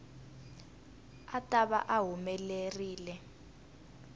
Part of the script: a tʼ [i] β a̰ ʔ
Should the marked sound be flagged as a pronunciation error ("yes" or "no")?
yes